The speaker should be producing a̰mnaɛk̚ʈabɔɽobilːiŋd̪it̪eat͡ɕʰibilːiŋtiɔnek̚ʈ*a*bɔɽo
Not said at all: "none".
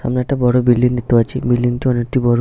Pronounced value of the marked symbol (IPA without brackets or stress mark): i